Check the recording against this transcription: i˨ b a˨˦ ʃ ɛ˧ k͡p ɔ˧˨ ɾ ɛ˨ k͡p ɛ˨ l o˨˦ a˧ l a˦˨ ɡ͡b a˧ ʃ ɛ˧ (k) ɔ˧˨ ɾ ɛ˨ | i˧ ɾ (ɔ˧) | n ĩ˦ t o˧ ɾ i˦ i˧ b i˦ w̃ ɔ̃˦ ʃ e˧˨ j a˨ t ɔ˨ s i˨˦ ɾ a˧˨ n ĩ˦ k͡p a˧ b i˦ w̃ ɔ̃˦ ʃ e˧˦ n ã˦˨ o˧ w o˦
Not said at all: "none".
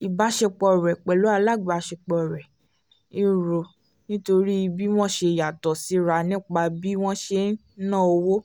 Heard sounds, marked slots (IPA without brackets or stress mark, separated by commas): k͡p, o˧